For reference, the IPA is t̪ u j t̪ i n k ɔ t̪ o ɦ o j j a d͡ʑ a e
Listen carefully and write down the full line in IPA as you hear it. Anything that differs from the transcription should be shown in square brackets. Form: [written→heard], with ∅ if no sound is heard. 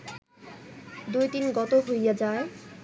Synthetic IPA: [t̪→d̪] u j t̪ i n [k→ɡ] ɔ t̪ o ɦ o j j a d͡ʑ a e